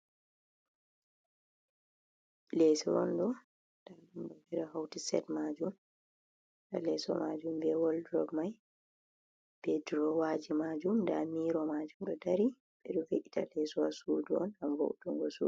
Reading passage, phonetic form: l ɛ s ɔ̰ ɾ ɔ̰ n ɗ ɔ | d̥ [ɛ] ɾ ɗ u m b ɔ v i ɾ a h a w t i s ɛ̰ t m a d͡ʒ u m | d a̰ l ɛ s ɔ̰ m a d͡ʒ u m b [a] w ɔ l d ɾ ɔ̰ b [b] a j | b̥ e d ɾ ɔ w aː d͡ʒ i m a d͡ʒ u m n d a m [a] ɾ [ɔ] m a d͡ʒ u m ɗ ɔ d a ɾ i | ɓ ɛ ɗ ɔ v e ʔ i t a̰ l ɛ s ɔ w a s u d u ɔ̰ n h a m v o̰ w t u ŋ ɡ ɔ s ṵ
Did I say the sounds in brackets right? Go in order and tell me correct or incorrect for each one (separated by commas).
incorrect, incorrect, incorrect, incorrect, correct